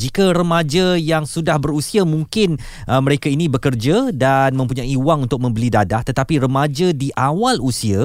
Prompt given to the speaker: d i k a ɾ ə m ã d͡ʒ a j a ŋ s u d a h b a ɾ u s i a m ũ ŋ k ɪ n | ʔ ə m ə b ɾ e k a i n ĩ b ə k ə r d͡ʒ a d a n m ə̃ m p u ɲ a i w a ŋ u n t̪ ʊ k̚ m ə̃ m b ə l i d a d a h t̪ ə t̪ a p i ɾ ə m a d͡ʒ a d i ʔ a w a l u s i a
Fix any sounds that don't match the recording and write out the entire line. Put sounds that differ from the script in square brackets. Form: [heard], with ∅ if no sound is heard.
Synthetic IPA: [d͡ʒ] i k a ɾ ə m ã d͡ʒ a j a ŋ s u d a h b [ə] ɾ u s i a m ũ ŋ k ɪ n | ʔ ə m ə [∅] ɾ e k a i n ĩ b ə k ə r d͡ʒ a d a n m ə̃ m p u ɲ a i w a ŋ u n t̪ ʊ k̚ m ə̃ m b ə l i d a d a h t̪ ə t̪ a p i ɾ ə m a d͡ʒ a d i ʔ a w a l u s i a